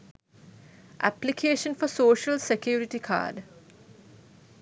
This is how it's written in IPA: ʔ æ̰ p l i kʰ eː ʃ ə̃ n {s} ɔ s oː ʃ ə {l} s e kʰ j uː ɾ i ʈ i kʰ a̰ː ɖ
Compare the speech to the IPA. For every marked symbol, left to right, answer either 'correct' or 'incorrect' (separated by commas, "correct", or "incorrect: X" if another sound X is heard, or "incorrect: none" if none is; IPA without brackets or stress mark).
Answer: incorrect: f, correct